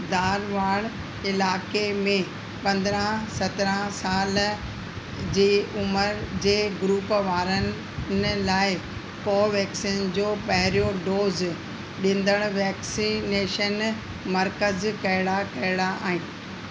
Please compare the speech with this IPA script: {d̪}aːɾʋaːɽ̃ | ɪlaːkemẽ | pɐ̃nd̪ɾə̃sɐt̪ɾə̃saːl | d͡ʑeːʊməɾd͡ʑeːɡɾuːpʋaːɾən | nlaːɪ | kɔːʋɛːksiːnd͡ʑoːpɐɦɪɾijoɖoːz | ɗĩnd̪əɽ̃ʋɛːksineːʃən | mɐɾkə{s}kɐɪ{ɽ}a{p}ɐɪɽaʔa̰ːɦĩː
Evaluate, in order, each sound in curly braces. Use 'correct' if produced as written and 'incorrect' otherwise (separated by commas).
correct, incorrect, correct, incorrect